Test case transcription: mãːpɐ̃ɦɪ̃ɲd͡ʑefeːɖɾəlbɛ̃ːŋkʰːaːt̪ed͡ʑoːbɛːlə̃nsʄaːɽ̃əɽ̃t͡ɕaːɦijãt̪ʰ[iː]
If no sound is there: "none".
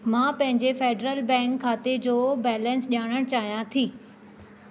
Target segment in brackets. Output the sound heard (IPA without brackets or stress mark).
iː